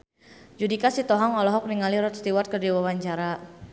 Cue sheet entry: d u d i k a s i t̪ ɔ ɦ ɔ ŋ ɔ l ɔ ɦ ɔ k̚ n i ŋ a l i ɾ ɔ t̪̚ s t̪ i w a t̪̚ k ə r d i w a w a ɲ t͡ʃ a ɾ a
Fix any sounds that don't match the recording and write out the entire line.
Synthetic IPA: d͡ʒ u d i k a s i t̪ ɔ ɦ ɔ ŋ ɔ l ɔ ɦ ɔ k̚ n i ŋ a l i ɾ ɔ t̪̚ s t̪ i w a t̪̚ k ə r d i w a w a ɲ t͡ʃ a ɾ a